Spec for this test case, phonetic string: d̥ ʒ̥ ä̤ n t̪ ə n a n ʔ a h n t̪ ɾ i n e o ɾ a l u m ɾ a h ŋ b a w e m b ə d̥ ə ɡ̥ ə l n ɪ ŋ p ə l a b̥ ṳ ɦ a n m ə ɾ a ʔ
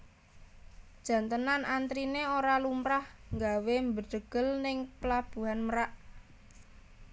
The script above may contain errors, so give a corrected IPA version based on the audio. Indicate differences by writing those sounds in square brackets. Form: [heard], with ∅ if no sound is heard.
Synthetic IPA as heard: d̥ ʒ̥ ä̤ n t̪ ə n a n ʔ a [∅] n t̪ ɾ i n e o ɾ a l u m ɾ a h ŋ [ɡ] a w e m b ə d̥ ə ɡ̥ ə l n ɪ ŋ p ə l a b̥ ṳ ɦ a n m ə ɾ a ʔ